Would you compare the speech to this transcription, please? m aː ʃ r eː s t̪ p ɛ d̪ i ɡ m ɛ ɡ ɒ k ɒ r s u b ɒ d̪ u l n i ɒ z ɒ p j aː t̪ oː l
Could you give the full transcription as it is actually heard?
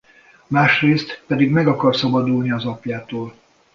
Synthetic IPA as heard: m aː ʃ r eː s t̪ p ɛ d̪ i ɡ m ɛ ɡ ɒ k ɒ r s ɒ b ɒ d̪ u l n i ɒ z ɒ p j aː t̪ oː l